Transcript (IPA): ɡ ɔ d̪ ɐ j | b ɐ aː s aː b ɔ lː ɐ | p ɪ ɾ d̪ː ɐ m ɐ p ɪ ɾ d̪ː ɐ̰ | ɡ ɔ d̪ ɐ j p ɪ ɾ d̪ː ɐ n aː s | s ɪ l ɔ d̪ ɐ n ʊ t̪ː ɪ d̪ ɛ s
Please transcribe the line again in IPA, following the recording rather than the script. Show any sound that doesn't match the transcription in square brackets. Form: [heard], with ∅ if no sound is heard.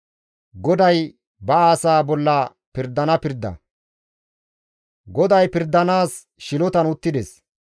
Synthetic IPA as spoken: ɡ ɔ d̪ ɐ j | b ɐ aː s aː b ɔ lː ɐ | p ɪ ɾ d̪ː ɐ [n] ɐ p ɪ ɾ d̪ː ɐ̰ | ɡ ɔ d̪ ɐ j p ɪ ɾ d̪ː ɐ n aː s | [ʃ] ɪ l ɔ [t̪] ɐ n ʊ t̪ː ɪ d̪ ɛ s